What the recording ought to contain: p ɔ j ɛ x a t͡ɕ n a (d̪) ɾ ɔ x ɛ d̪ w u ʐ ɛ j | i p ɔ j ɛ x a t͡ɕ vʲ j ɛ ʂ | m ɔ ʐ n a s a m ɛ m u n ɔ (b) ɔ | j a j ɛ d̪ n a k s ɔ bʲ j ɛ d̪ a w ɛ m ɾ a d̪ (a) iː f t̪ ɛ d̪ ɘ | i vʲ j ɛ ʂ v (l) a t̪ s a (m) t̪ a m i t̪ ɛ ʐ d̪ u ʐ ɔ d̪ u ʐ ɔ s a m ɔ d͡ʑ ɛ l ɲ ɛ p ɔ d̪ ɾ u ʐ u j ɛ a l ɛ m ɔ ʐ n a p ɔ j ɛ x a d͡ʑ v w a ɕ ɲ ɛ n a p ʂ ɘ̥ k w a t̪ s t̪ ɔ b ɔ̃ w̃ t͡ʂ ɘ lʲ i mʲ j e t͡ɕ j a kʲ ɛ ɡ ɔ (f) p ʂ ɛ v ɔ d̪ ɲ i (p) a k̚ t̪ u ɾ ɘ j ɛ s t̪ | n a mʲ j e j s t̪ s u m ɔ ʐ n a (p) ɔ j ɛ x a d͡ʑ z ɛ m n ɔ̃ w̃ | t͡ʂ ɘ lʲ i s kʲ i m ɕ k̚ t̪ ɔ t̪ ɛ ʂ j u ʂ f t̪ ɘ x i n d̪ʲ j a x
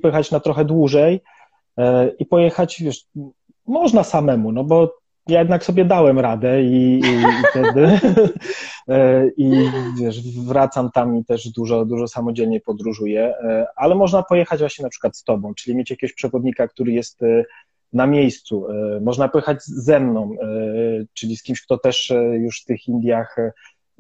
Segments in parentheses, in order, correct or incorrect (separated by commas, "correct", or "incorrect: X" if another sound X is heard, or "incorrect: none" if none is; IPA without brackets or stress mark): incorrect: t̪, correct, incorrect: ɛ, incorrect: ɾ, correct, incorrect: ɕ, incorrect: k, correct